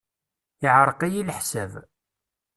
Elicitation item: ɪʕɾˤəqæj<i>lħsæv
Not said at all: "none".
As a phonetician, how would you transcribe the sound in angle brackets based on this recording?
i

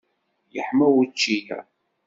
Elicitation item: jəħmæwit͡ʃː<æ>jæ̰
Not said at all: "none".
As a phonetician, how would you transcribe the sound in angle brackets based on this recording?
i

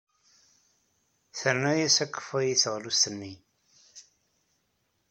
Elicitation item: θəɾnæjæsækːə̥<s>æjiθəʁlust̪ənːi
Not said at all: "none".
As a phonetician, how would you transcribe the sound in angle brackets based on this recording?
f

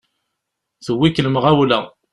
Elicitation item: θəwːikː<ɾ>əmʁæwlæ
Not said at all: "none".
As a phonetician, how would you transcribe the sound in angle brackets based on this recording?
l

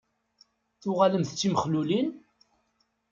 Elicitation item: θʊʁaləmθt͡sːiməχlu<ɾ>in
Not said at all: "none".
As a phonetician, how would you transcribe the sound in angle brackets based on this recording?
l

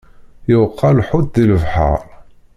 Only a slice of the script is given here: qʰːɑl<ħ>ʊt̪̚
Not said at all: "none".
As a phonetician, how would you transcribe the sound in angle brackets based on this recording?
ħ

